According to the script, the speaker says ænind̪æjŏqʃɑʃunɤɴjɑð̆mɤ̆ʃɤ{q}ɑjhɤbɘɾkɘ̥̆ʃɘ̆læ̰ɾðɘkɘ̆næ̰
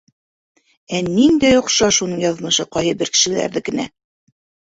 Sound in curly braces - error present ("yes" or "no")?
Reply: no